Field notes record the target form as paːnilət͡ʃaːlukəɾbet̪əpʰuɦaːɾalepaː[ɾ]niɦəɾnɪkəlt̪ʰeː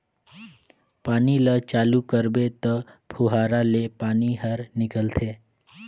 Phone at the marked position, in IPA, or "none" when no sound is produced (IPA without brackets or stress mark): none